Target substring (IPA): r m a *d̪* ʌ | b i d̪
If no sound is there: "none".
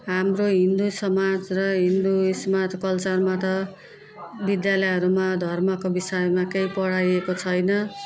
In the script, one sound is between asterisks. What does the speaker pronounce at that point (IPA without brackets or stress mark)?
t̪